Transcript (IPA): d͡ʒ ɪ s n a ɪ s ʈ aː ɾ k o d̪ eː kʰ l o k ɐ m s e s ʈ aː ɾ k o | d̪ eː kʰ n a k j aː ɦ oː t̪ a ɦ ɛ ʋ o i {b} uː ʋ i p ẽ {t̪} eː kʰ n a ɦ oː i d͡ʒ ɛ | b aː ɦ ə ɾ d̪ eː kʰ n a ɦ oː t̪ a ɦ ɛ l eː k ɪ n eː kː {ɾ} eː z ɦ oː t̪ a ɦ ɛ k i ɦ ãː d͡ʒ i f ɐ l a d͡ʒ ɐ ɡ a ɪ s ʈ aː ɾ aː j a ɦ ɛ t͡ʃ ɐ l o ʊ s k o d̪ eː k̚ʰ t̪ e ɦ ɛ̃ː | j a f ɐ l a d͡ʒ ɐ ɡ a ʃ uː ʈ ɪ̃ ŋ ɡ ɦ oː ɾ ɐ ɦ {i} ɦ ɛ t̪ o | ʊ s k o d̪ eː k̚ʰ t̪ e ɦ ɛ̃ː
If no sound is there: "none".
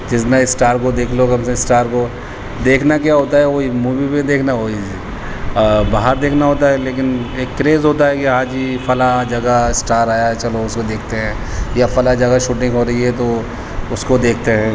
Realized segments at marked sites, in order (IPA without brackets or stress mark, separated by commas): m, d̪, ɾ, i